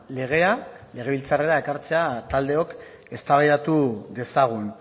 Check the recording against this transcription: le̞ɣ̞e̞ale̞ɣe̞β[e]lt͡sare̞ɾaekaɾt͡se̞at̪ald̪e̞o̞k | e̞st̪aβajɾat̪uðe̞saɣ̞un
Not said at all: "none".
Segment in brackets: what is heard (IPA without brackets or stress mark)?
i